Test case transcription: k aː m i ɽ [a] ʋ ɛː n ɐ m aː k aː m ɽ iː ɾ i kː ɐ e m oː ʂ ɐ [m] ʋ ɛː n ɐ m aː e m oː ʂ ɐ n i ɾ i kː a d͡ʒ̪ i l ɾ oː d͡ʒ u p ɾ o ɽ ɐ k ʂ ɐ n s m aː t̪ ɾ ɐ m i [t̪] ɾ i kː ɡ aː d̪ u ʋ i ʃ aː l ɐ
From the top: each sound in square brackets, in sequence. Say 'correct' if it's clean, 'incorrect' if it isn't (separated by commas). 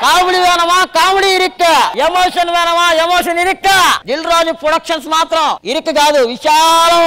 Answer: incorrect, incorrect, incorrect